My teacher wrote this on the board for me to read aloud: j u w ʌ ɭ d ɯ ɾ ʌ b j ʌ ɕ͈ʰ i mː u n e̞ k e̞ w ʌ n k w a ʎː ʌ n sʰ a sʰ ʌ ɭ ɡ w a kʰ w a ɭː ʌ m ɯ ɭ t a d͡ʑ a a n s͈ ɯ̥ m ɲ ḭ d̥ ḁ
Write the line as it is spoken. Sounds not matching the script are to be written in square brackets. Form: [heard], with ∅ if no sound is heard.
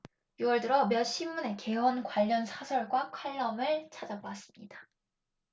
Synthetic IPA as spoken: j u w ʌ ɭ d ɯ ɾ ʌ [m] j ʌ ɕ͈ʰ i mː u n e̞ k e̞ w ʌ n k w a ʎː ʌ n sʰ a sʰ ʌ ɭ ɡ w a kʰ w a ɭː ʌ m ɯ ɭ [t͡ɕʰ] a d͡ʑ a a [∅] s͈ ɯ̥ m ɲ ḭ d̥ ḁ